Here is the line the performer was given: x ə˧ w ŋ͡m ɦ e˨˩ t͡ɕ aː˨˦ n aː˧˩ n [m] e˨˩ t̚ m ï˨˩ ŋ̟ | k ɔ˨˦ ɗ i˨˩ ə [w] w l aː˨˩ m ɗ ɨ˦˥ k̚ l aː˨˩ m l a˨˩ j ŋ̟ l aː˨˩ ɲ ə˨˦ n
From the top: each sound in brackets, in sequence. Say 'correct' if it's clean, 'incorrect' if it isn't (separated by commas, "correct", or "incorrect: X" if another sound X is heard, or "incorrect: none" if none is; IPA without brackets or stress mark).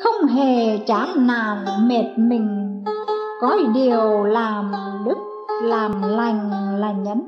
correct, correct